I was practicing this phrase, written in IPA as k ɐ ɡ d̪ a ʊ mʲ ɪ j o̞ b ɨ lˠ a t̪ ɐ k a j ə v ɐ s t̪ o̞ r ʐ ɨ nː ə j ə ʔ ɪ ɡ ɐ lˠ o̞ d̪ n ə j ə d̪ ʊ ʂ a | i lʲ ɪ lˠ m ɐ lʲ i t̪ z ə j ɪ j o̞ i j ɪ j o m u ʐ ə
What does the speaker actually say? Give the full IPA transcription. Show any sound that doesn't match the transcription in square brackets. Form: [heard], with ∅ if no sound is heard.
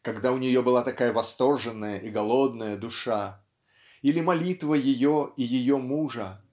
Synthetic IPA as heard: k ɐ ɡ d̪ a ʊ [nʲ] ɪ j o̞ b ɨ lˠ a t̪ ɐ k a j ə v ɐ s t̪ o̞ r ʐ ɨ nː ə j ə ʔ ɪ ɡ ɐ lˠ o̞ d̪ n ə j ə d̪ ʊ ʂ a | i lʲ ɪ [∅] m ɐ lʲ i t̪ [v] ə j ɪ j o̞ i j ɪ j o m u ʐ ə